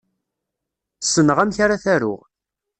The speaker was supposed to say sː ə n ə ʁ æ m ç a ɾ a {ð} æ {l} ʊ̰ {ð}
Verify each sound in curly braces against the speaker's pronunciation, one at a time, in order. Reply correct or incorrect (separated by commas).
incorrect, incorrect, incorrect